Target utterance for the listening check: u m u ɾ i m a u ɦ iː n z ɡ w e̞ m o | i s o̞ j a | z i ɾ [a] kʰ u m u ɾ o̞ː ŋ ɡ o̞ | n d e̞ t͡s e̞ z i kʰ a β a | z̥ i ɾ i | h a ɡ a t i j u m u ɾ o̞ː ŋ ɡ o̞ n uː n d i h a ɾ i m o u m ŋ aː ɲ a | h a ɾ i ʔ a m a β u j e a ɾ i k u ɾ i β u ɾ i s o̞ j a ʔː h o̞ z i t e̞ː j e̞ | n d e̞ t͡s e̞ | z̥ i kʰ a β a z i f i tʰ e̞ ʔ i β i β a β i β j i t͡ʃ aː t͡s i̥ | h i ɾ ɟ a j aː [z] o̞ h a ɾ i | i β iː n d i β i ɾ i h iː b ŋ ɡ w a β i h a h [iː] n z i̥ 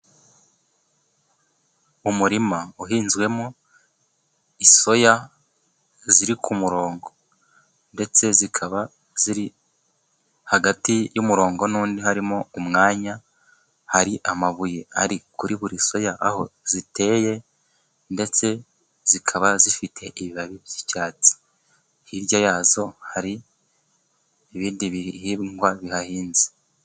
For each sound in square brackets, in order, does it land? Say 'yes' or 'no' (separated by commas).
no, yes, yes